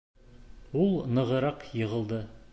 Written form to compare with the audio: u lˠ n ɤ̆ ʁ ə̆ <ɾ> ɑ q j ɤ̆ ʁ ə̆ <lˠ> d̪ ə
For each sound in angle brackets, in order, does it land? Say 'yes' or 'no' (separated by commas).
yes, yes